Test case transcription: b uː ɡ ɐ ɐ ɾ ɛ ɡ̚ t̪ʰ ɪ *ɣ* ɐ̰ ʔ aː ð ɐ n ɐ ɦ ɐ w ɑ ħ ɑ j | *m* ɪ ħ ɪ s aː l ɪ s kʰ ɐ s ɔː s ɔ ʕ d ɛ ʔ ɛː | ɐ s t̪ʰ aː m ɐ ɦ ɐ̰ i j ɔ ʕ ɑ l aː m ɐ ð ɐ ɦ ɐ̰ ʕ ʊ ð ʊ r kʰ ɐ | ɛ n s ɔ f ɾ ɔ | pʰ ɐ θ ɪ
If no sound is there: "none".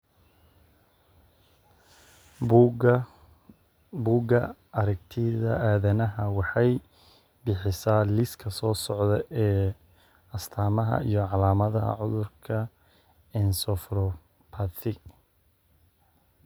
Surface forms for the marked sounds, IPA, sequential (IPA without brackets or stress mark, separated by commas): ð, b